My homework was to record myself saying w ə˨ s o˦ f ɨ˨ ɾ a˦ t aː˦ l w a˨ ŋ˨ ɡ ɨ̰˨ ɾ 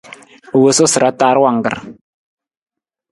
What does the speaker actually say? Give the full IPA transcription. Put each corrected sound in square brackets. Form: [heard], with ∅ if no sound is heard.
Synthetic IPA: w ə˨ s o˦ [s] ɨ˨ ɾ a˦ t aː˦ [ɾ] w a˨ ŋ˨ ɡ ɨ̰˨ ɾ